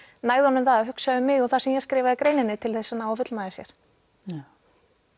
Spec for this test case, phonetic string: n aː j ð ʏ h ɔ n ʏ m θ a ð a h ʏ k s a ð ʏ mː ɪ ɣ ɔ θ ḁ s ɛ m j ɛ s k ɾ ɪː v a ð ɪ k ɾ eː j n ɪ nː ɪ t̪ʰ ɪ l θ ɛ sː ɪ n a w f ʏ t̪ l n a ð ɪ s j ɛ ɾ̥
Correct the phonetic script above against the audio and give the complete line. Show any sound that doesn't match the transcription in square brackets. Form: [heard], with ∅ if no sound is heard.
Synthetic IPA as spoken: n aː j ð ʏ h ɔ n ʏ m θ a ð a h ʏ k s a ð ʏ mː ɪ ɣ ɔ θ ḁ s ɛ m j ɛ s k ɾ ɪː v a ð ɪ k ɾ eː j n ɪ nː ɪ t̪ʰ ɪ l θ ɛ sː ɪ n a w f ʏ t̪ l n a ð ɪ s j ɛ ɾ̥